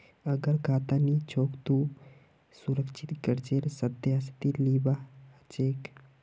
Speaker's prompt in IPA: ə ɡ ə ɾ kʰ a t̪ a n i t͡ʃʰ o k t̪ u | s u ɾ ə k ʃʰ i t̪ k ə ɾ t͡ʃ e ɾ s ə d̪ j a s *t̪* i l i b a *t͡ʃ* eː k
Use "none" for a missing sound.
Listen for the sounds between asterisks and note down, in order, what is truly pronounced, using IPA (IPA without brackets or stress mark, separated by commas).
t̪, t͡ʃ